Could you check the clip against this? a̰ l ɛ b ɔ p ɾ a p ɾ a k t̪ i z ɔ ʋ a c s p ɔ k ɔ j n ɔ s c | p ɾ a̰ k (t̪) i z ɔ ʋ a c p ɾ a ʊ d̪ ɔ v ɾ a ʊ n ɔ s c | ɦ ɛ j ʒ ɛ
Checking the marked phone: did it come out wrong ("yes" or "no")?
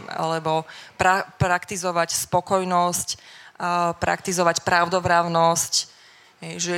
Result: no